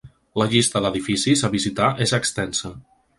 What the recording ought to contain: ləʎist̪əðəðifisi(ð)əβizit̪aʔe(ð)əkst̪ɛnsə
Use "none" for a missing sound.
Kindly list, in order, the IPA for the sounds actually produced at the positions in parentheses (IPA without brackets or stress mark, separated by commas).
z, z